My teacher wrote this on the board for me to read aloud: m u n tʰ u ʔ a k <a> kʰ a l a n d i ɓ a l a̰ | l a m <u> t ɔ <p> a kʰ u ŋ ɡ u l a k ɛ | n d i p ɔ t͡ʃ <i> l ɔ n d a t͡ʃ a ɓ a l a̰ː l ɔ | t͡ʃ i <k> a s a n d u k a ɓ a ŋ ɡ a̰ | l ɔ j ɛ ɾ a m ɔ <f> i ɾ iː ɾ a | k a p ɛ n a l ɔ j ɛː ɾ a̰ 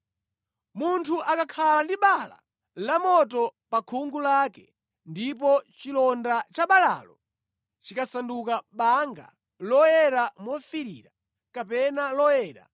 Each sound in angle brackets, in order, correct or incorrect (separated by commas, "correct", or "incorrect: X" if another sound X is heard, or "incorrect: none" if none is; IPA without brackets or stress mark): correct, incorrect: ɔ, correct, correct, correct, correct